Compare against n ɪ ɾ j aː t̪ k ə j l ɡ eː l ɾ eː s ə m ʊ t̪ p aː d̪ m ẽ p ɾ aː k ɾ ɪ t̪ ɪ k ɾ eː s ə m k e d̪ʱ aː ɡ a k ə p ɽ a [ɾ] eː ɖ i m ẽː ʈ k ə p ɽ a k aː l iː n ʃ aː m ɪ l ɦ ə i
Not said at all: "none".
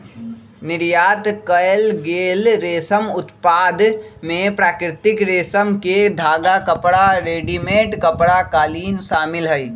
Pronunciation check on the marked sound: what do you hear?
ɾ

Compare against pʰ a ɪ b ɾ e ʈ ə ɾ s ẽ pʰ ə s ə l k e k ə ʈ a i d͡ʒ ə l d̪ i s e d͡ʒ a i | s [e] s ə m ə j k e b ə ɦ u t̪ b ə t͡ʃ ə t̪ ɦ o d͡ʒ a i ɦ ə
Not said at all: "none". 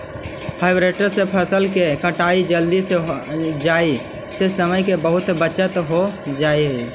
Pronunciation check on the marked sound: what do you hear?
e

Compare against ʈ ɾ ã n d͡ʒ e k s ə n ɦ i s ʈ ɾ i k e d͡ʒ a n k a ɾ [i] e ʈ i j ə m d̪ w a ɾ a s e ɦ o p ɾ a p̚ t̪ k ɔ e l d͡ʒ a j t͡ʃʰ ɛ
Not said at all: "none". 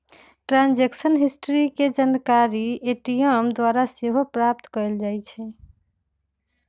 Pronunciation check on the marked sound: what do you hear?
i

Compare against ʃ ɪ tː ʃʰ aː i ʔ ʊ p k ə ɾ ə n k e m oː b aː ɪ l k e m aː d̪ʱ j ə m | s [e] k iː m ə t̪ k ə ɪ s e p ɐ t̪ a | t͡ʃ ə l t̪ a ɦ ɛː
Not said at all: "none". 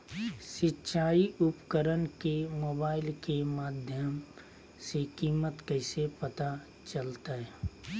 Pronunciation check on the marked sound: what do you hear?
e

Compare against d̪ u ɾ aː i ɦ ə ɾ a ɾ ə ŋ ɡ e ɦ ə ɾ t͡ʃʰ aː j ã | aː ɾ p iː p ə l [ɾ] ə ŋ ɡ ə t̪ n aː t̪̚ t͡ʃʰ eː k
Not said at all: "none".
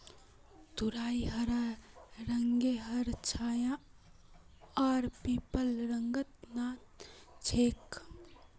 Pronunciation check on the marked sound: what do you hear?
ɾ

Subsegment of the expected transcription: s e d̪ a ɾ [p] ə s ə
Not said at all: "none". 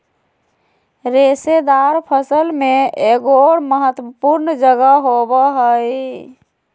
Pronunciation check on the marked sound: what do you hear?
pʰ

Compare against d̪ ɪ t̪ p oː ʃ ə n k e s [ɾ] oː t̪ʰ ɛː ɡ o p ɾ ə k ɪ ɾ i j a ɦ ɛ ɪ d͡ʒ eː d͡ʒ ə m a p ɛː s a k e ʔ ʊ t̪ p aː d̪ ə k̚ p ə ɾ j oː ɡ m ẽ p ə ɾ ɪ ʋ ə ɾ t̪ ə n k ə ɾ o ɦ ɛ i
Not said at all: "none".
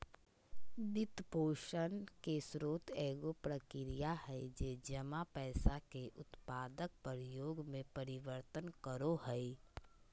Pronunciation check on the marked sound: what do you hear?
ɾ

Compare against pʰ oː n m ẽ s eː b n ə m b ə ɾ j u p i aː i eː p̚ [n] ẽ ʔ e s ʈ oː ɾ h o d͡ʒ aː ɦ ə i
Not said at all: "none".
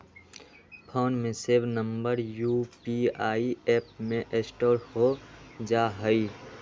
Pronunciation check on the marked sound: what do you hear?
m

